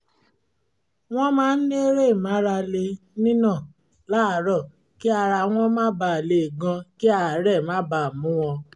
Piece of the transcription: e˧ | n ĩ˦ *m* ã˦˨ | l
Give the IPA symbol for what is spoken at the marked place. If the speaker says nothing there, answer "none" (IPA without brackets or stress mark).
n